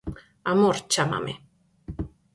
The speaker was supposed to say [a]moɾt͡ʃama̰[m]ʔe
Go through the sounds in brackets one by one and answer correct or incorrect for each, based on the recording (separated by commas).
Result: correct, correct